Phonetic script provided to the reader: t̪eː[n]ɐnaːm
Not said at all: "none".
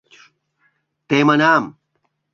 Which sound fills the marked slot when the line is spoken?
m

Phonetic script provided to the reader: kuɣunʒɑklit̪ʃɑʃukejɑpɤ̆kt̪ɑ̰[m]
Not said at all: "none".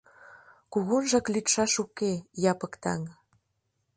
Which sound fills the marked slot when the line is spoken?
ŋ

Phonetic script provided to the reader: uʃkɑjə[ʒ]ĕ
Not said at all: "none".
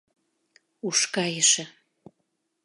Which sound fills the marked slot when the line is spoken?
ʃ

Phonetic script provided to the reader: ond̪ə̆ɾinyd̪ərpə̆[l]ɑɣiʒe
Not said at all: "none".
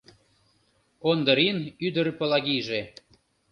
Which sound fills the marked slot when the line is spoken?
l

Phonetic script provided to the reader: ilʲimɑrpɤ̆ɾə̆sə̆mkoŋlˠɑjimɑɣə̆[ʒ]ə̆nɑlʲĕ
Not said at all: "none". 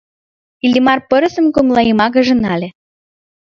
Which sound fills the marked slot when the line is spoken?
ʒ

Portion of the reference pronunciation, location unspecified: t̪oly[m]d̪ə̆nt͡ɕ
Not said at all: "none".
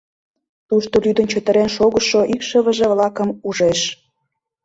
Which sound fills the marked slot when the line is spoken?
none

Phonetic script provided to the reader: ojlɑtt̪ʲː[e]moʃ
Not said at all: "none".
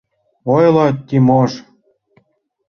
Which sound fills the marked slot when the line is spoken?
i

